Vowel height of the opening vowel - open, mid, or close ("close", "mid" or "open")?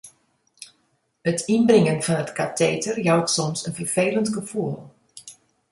mid